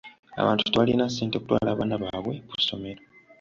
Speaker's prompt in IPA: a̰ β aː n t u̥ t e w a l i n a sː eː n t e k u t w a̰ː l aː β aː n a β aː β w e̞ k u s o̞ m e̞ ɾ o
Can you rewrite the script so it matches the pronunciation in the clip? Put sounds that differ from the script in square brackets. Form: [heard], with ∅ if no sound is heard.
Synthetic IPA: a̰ β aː n t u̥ t e [β] a l i n a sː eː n t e k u t w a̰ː l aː β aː n a β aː β w e̞ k u s o̞ m e̞ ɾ o

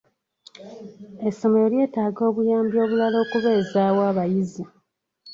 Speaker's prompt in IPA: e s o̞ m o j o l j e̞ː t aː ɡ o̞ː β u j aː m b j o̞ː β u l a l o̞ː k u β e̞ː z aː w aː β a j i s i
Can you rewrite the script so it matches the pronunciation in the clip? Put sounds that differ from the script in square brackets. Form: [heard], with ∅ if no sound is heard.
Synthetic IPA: e s o̞ m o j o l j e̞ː t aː ɡ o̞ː β u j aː m b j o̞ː β u l a l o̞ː k u β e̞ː z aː w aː β a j i [z] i

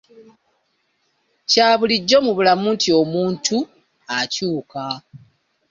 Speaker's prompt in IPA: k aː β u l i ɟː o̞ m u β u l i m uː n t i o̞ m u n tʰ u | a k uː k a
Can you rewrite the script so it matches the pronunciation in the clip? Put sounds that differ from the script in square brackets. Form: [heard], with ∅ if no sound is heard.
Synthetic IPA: [c] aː β u l i ɟː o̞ m u β u l [a] m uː n t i o̞ m [uː] n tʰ u | a [c] uː k a

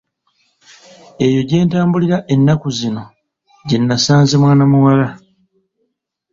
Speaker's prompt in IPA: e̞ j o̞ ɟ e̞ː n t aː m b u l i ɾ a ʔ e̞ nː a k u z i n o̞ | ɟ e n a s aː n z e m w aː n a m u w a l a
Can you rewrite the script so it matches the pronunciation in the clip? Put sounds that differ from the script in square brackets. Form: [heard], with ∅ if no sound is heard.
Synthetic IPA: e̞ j o̞ ɟ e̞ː n t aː m b u l i ɾ a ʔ e̞ nː a k u z i n o̞ | ɟ e [nː] a s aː n z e m w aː n a m u w a l a

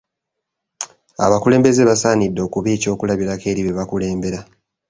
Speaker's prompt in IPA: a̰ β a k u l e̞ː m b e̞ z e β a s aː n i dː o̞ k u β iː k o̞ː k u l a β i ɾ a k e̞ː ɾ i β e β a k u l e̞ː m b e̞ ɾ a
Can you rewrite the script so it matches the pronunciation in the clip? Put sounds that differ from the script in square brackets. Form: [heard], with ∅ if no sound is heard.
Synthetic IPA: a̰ β a k u l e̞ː m b e̞ z e β a s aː n i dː o̞ k u β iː [c] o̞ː k u l a β i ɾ a k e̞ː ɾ i β e β a k u l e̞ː m b e̞ ɾ a

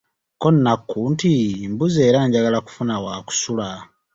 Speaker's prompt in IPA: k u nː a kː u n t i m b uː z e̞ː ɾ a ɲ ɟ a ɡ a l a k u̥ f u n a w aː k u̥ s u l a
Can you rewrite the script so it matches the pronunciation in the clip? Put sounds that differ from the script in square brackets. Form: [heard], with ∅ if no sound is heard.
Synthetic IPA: k [o] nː a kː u n t i m b [u] z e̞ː ɾ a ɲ ɟ a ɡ a l a k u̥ f u n a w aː k u̥ s u l a

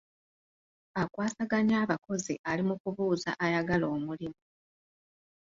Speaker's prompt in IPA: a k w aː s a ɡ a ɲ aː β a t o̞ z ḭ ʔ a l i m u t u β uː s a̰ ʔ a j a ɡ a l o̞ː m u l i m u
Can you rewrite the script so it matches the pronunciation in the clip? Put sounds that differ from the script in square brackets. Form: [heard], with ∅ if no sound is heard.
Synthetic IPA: a k w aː s a ɡ a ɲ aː β a [k] o̞ z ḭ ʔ a l i m u [k] u β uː [z] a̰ ʔ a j a ɡ a l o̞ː m u l i m u

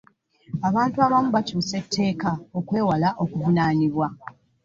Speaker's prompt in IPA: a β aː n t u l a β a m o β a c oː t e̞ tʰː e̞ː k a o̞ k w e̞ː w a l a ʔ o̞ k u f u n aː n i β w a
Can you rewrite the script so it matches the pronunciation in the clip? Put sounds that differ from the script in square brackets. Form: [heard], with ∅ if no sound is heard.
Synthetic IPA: a β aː n t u [∅] a β a m [u] β a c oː [s] e̞ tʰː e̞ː k a o̞ k w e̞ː w a l a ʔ o̞ k u [v] u n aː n i β w a

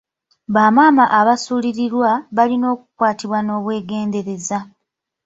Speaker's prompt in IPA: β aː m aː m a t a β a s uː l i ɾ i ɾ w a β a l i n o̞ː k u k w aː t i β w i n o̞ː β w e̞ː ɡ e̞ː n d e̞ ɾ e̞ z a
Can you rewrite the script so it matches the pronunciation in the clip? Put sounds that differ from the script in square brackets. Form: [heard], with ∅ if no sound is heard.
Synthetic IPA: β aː m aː m a [ʔ] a β a s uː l i ɾ i ɾ w a β a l i n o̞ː k u k w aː t i β w [a] n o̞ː β w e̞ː ɡ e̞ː n d e̞ ɾ e̞ z a

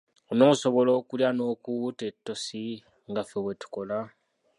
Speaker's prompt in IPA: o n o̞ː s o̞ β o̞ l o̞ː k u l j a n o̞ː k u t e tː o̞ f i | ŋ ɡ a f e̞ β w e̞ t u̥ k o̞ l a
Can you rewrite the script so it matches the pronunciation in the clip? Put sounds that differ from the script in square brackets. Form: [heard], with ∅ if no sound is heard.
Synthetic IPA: o n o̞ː s o̞ β o̞ l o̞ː k u l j a n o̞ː k u t e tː o̞ [s] i | ŋ ɡ a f e̞ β w e̞ t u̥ k o̞ l a

